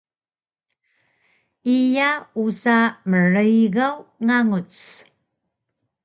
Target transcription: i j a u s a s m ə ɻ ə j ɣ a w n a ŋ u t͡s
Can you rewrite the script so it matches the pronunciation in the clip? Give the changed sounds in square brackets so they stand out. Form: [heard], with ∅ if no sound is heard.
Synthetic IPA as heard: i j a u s a [∅] m ə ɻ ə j ɣ a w [ŋ] a ŋ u t͡s